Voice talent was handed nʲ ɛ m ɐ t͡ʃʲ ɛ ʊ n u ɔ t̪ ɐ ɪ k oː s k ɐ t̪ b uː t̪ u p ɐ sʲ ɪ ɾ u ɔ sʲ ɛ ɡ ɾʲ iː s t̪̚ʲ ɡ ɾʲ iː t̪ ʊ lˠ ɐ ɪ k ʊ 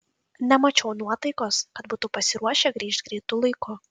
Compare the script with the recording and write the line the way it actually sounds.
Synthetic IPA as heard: nʲ ɛ m ɐ t͡ʃʲ ɛ ʊ n u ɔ t̪ ɐ ɪ k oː s k ɐ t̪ b uː t̪ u p ɐ sʲ ɪ ɾ u ɔ ʃʲ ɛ ɡ ɾʲ iː ʃ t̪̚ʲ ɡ ɾʲ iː t̪ ʊ lˠ ɐ ɪ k ʊ